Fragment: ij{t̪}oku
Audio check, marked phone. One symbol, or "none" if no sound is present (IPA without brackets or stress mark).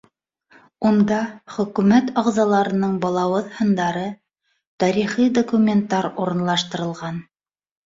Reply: d̪